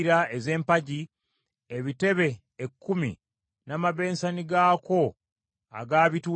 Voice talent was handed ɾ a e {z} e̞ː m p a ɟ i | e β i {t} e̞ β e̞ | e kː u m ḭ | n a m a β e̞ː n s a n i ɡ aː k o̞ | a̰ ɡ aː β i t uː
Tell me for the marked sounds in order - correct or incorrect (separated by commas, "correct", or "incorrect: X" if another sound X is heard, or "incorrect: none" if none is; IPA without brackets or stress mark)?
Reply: correct, correct